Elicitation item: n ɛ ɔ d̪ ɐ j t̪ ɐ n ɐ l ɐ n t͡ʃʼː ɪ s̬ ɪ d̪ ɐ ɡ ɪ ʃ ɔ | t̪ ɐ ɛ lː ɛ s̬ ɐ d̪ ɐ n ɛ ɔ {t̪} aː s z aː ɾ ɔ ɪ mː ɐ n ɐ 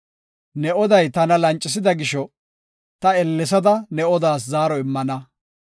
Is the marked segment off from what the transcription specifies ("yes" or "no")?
yes